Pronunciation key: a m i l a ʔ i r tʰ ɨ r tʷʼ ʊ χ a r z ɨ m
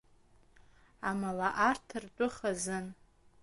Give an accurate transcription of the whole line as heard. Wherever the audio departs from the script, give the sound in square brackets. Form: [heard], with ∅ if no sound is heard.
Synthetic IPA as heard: a m [a] l a ʔ [a] r tʰ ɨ r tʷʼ ʊ χ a [∅] z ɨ [n]